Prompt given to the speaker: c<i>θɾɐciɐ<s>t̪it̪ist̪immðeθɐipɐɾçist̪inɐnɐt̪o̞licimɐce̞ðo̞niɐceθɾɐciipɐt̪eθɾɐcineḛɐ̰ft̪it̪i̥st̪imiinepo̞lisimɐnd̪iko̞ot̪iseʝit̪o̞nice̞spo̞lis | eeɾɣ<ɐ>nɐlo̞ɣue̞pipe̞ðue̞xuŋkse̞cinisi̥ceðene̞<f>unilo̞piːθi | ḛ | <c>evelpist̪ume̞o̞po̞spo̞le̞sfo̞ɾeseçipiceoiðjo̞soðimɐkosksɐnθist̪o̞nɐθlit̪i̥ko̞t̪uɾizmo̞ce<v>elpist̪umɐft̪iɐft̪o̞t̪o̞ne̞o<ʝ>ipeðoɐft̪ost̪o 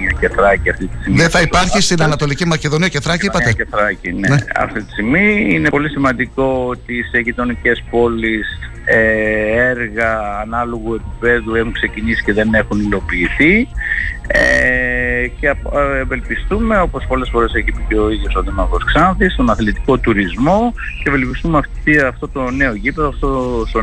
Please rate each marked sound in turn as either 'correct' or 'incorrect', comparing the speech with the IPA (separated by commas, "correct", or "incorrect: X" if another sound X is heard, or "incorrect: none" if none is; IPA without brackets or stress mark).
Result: incorrect: e, incorrect: f, incorrect: ɐː, incorrect: x, correct, correct, correct